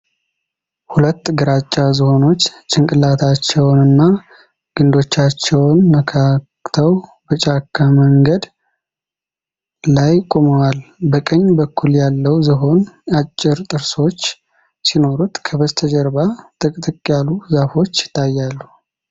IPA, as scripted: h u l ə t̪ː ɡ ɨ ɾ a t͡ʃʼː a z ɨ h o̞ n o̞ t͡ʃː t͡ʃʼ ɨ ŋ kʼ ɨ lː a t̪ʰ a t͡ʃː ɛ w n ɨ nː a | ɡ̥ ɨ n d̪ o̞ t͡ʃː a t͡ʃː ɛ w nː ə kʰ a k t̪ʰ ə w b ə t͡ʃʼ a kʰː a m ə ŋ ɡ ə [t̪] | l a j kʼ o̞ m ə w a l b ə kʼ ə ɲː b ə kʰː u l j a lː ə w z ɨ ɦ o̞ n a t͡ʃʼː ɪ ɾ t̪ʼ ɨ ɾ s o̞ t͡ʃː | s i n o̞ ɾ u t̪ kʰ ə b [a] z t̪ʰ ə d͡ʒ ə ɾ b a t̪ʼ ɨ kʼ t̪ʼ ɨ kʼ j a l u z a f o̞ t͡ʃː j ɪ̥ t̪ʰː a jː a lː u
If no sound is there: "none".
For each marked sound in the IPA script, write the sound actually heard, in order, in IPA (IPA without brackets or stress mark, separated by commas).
d̪, ə